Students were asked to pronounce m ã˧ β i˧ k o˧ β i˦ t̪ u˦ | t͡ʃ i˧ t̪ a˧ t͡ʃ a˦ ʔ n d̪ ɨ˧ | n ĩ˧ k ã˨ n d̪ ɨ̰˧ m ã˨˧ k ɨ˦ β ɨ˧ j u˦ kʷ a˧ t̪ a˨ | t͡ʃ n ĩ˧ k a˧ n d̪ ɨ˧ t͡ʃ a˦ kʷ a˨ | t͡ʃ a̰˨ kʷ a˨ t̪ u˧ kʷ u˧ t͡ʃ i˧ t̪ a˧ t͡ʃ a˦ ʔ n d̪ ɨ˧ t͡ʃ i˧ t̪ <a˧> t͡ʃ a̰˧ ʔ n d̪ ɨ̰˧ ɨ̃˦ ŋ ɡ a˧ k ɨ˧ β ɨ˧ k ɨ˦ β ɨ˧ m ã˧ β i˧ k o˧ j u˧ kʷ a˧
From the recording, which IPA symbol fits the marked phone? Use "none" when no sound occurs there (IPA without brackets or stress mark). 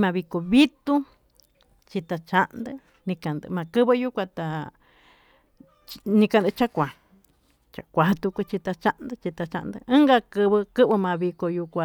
a˧